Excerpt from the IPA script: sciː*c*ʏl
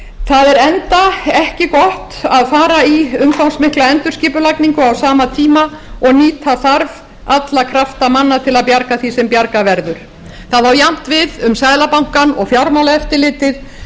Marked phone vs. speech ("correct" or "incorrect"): incorrect